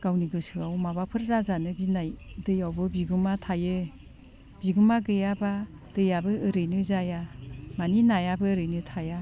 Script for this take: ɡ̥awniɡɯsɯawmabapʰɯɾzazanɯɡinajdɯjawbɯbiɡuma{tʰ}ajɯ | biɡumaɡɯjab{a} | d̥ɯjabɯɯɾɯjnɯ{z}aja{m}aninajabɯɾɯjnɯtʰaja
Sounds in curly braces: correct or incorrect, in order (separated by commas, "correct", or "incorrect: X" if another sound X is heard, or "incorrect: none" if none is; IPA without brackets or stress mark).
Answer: correct, correct, correct, correct